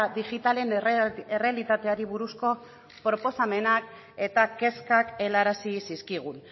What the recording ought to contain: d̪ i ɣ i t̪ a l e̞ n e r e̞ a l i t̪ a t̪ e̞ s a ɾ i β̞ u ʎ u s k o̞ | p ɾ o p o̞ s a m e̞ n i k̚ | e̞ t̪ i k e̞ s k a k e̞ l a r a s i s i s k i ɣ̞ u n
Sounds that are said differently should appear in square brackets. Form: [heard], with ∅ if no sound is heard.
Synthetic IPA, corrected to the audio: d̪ i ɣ i t̪ a l e̞ n e r e̞ a l i t̪ a t̪ e̞ [∅] a ɾ i β̞ u [ɾ] u s k o̞ | p ɾ o p o̞ s a m e̞ n [a] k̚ | e̞ t̪ [a] k e̞ s k a k e̞ l a [ɾ] a s i s i s k i ɣ̞ u n